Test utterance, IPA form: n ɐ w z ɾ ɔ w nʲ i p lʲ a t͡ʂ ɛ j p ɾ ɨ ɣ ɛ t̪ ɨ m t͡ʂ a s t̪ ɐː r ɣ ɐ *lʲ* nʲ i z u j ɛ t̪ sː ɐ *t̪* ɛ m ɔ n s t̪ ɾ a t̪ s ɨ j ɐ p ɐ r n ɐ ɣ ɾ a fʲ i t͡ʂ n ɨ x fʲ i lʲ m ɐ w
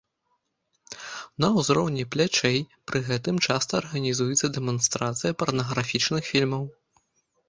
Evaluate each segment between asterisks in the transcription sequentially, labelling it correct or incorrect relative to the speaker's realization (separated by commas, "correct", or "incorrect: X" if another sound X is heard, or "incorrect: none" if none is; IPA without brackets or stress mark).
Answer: incorrect: none, incorrect: d̪